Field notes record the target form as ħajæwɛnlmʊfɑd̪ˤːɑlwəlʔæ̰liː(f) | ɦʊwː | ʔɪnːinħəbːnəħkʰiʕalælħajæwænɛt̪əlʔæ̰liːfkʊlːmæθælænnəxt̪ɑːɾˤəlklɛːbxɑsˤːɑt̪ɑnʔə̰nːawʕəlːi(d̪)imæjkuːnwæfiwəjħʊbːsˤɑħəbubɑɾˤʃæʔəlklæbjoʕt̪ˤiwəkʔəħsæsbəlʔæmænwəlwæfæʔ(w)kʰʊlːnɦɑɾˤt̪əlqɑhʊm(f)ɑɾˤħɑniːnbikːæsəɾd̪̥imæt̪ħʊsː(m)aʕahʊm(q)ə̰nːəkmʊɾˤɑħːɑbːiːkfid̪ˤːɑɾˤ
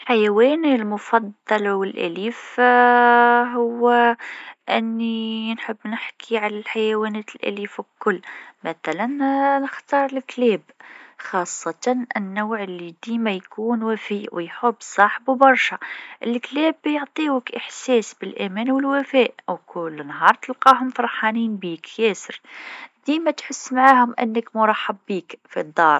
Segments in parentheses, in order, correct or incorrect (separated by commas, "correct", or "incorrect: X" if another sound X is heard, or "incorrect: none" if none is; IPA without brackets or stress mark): correct, correct, correct, correct, correct, incorrect: ʔ